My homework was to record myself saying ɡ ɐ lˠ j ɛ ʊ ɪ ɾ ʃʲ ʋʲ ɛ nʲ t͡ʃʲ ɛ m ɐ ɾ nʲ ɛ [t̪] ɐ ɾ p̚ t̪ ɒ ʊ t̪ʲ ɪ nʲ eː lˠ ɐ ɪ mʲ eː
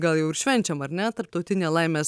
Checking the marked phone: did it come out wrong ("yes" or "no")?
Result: no